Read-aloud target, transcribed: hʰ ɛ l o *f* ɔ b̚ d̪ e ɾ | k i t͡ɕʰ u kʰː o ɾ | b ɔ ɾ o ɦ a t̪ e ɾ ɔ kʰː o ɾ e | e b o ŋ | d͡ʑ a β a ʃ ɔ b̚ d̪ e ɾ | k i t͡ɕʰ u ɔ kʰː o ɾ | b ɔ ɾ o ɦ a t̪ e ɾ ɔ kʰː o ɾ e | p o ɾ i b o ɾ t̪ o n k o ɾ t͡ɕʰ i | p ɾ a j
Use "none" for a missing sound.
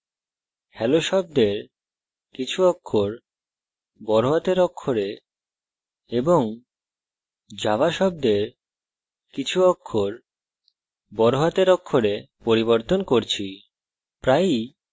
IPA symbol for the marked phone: ʃ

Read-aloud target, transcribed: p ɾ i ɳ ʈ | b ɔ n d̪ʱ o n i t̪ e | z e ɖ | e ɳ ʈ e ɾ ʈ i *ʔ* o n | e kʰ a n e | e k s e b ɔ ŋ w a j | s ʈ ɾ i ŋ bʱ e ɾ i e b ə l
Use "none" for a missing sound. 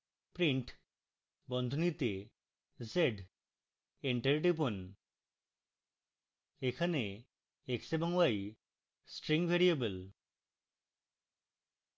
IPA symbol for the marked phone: p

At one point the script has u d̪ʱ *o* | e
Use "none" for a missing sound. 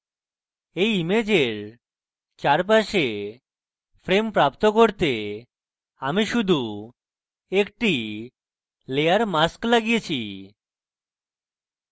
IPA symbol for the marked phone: u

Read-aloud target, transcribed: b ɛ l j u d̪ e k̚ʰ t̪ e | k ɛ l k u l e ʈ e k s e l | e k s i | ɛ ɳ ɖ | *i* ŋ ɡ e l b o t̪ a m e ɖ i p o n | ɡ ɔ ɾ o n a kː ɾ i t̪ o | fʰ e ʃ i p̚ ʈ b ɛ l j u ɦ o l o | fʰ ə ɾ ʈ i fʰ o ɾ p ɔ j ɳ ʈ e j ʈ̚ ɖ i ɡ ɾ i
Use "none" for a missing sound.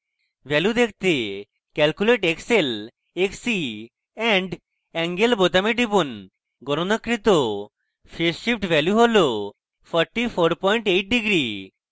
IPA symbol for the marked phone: ɛ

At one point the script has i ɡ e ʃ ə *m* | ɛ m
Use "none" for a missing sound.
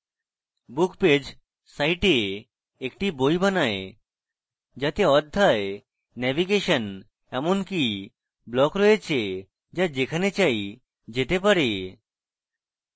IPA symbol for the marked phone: n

